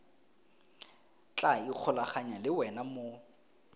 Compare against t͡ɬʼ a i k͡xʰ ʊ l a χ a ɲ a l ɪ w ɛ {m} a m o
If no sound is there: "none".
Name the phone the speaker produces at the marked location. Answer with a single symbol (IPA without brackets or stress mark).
n